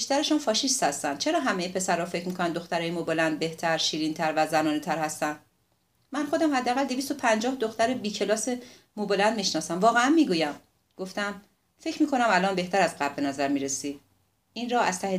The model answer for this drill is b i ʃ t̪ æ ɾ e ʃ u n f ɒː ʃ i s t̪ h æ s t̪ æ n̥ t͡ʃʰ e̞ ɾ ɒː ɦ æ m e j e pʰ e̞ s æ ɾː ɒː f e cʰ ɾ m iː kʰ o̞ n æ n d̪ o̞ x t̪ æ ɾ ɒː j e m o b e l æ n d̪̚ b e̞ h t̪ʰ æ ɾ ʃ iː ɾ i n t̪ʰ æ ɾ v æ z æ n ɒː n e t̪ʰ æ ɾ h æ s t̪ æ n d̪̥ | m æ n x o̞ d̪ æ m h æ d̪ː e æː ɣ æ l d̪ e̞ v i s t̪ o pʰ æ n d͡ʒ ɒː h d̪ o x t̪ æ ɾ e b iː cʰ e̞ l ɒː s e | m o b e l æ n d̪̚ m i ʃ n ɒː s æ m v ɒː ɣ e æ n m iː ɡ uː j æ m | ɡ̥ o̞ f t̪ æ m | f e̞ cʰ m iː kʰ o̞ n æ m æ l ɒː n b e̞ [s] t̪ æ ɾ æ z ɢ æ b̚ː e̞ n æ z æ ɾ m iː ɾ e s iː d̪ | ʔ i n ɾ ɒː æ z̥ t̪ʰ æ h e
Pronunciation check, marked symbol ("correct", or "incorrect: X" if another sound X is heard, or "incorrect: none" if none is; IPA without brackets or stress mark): incorrect: h